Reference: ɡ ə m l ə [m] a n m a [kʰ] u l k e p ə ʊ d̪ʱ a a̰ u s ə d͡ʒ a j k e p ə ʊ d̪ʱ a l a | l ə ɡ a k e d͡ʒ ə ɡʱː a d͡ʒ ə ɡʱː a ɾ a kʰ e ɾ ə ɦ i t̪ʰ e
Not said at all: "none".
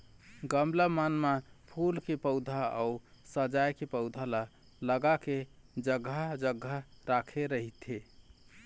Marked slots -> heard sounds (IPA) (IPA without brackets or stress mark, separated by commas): m, pʰ